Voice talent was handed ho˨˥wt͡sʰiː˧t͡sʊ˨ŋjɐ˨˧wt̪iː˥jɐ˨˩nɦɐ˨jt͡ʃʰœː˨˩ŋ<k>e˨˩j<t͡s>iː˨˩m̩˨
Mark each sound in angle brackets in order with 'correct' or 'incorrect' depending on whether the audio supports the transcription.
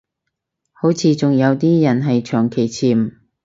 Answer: incorrect, incorrect

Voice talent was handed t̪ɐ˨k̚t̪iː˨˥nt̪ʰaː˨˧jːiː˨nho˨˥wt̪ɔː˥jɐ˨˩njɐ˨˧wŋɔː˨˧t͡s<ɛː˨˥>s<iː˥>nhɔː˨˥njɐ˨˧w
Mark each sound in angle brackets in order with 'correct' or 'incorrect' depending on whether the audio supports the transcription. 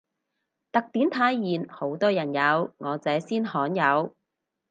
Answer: correct, correct

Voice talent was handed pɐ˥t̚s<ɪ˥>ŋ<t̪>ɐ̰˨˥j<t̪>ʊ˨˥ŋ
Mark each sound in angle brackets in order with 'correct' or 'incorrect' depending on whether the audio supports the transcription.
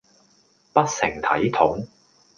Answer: incorrect, incorrect, incorrect

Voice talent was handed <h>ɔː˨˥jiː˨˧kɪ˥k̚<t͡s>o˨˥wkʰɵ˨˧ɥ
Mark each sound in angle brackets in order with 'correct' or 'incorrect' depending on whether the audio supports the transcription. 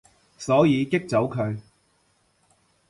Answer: incorrect, correct

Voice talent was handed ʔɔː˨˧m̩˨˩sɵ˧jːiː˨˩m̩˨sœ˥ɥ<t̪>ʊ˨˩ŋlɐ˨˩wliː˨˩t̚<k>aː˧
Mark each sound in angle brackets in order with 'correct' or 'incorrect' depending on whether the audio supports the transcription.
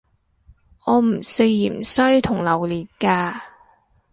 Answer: incorrect, correct

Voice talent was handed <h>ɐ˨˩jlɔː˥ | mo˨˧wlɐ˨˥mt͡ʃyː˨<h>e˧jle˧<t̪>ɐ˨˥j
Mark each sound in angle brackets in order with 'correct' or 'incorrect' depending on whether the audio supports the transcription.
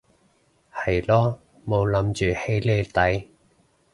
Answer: correct, correct, correct

